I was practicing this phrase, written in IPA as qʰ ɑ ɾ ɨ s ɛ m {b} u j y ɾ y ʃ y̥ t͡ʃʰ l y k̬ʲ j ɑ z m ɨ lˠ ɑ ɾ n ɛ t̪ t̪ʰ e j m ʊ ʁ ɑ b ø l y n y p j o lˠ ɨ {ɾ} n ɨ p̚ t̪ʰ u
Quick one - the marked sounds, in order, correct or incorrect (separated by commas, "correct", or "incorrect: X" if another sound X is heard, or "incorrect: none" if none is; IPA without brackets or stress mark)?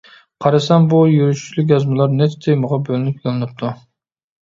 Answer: correct, incorrect: none